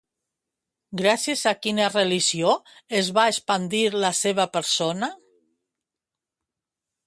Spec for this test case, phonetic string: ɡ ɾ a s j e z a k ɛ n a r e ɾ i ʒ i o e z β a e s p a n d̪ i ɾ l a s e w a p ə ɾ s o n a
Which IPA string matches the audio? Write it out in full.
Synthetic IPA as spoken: ɡ ɾ a s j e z a k i n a r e l i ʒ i o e z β a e s p a n d̪ i ɾ l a s e β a p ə ɾ s o n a